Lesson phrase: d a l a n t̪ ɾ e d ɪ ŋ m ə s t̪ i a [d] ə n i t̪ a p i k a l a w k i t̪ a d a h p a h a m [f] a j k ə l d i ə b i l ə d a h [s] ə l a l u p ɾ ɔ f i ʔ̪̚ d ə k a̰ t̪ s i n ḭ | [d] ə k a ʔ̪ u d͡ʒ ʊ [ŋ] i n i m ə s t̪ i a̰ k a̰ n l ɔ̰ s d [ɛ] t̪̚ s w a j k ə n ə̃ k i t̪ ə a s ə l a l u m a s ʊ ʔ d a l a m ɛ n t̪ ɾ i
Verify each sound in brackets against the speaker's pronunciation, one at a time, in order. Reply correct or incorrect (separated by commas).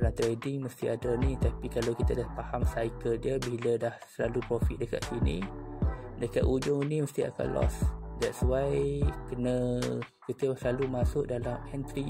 correct, incorrect, correct, correct, correct, correct